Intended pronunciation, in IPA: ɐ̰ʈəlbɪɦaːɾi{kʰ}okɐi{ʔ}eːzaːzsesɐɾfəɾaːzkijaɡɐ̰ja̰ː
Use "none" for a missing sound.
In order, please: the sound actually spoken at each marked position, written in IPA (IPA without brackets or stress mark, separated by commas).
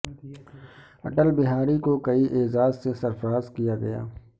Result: k, ʔ